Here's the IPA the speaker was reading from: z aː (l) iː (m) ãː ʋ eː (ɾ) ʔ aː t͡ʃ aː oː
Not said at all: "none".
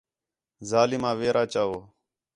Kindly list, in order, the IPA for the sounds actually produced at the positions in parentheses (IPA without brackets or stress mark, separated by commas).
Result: l, m, ɾ